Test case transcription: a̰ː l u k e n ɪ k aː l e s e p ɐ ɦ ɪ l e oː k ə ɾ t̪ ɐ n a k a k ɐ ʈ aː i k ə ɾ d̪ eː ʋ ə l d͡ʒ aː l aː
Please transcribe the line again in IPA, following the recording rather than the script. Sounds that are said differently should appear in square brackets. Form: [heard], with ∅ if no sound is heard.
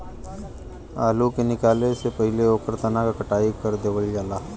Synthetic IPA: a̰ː l u k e n ɪ k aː l e s e p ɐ ɦ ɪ l e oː k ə ɾ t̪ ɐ n a k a k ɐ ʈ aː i k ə ɾ d̪ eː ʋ ə l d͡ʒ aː l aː